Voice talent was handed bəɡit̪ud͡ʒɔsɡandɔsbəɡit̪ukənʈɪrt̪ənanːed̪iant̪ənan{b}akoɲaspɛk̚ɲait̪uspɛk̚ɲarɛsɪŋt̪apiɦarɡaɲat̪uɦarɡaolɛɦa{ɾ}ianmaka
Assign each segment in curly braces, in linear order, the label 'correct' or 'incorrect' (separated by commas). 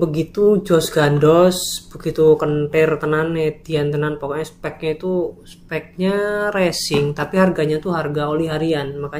incorrect, correct